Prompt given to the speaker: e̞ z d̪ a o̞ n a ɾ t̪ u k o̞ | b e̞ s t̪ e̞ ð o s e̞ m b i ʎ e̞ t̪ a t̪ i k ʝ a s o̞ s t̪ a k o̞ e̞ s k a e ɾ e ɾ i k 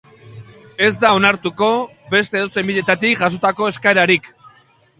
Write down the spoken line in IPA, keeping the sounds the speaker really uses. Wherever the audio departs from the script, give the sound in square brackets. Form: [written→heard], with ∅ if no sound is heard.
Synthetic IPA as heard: e̞ z d̪ a o̞ n a ɾ t̪ u k o̞ | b e̞ s t̪ e̞ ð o s e̞ m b i ʎ e̞ t̪ a t̪ i k ʝ a s o̞ [s→∅] t̪ a k o̞ e̞ s k a e ɾ [e→a] ɾ i k